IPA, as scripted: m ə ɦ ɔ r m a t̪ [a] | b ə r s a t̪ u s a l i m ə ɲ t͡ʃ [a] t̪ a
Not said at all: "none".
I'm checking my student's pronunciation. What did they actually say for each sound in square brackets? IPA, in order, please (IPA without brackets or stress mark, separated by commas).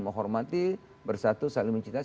i, i